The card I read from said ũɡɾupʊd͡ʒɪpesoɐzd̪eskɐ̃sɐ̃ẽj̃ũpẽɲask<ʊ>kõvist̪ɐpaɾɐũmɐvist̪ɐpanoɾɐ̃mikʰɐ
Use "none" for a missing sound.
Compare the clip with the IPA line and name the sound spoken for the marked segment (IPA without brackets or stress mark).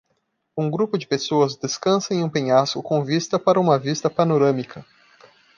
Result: ʊ